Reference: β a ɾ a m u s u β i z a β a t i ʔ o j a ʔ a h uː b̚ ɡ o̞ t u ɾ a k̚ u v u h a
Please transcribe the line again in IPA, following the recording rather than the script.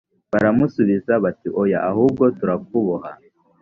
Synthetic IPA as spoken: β a ɾ a m u s u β i z a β a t i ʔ o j a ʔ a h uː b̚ ɡ o̞ t u ɾ a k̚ u β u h a